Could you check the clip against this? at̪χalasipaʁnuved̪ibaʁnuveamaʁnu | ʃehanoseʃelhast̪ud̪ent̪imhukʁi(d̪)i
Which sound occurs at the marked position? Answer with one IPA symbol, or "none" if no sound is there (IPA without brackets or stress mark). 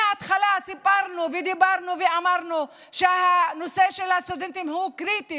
t̪